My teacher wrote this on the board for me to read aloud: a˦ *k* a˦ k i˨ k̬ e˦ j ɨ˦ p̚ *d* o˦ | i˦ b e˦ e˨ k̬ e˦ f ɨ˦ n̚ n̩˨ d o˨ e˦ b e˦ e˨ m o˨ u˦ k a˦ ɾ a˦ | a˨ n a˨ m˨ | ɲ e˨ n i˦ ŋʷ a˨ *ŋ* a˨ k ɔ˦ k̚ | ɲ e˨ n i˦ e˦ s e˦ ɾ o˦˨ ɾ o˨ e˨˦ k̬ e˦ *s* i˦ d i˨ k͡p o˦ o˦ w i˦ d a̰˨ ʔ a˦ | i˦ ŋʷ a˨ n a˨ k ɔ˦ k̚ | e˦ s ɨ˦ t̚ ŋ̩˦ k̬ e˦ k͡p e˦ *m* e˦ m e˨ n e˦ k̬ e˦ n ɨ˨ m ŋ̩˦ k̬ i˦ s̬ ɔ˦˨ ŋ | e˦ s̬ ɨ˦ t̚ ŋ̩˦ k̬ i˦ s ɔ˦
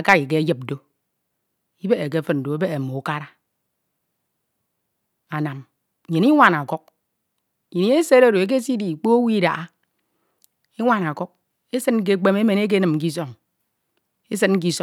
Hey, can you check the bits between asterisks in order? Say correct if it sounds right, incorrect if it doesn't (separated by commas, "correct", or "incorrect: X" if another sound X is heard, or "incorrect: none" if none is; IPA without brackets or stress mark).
correct, correct, incorrect: n, correct, correct